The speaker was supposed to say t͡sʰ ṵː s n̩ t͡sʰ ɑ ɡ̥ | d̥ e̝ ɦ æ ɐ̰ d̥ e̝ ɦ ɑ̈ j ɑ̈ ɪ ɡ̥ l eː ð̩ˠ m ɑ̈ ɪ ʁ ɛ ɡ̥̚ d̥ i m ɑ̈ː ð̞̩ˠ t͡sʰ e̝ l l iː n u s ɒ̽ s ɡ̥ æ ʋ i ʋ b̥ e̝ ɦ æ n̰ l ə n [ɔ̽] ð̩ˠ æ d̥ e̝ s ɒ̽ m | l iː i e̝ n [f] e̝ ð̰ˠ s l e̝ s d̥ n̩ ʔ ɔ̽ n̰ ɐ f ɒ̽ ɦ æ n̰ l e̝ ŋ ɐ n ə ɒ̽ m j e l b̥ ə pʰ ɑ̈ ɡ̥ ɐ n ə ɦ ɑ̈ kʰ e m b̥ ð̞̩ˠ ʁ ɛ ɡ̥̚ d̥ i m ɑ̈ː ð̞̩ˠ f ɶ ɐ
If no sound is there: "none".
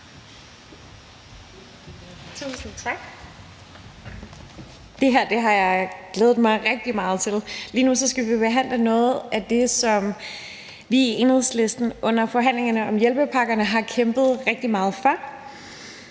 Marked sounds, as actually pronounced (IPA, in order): ɔ̽ː, h

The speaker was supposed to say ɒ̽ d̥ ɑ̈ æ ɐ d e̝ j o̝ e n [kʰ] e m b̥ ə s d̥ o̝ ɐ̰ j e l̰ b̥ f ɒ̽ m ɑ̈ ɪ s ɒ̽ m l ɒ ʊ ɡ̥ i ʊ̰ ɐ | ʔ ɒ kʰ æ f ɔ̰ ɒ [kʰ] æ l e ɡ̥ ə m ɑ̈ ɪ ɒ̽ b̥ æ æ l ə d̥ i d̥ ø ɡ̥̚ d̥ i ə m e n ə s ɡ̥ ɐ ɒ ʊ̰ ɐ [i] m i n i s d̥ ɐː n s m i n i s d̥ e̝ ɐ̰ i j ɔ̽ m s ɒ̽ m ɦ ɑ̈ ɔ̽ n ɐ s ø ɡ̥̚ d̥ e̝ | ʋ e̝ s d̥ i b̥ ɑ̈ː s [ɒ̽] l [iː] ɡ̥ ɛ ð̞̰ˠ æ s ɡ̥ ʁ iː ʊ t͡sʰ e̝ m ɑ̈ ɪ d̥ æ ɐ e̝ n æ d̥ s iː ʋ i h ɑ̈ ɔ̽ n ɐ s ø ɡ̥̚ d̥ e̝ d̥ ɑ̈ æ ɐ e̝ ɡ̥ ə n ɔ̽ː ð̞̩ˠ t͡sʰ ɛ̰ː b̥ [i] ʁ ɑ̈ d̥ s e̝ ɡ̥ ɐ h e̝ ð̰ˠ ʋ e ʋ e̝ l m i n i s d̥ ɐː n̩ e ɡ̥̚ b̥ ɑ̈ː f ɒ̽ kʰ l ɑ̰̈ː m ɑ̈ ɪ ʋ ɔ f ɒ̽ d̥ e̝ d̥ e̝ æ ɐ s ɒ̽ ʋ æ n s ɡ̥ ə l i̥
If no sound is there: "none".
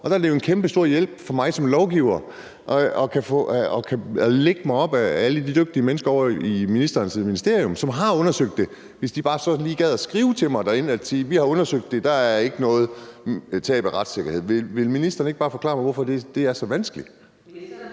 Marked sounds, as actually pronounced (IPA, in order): kʰ, kʰ, i, ɒ̽, iː, æ

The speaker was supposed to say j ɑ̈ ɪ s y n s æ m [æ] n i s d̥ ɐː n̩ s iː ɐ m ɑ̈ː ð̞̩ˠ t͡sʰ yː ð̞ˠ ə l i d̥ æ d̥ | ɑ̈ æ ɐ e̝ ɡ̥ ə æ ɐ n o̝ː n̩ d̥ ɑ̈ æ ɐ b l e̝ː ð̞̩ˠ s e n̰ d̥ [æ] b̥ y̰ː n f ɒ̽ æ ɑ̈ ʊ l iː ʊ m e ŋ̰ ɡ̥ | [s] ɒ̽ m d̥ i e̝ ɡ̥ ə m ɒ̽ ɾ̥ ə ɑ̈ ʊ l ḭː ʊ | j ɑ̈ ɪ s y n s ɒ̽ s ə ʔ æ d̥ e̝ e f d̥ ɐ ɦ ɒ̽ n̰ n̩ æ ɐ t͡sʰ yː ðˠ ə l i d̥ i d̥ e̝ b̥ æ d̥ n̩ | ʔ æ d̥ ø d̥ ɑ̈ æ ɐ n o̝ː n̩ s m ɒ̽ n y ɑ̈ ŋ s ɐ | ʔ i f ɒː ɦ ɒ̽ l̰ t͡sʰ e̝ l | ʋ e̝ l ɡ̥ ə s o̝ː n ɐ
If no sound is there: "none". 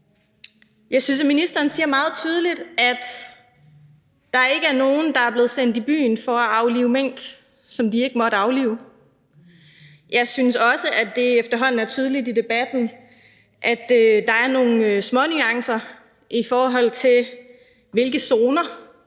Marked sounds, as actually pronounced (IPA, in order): i, i, s

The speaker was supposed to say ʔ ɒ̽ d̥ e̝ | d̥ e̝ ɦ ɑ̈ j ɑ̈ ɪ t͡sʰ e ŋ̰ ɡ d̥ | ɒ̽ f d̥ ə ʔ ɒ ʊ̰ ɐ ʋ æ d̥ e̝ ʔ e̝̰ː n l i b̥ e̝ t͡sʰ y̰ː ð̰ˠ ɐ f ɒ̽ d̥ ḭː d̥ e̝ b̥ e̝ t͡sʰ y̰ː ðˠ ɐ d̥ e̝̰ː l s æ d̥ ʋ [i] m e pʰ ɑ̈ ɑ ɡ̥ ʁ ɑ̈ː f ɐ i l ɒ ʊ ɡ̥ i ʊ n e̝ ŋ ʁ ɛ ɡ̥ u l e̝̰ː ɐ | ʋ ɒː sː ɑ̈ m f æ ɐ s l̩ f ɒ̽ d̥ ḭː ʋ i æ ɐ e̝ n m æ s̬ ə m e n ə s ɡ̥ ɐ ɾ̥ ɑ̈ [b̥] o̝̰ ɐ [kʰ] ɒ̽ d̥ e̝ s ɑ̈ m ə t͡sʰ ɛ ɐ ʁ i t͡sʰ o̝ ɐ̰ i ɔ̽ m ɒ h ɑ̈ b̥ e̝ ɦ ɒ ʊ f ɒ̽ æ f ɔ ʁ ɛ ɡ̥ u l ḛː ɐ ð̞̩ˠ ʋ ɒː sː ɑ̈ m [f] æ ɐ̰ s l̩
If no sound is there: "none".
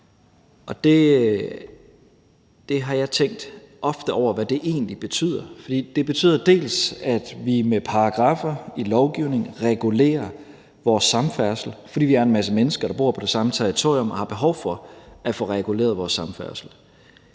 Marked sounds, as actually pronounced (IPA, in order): i, b̥, pʰ, f

